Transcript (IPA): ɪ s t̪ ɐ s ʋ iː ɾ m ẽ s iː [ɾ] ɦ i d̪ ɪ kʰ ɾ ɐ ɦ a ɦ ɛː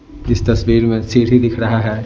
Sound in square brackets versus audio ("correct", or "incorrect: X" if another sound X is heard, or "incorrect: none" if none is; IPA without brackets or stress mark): correct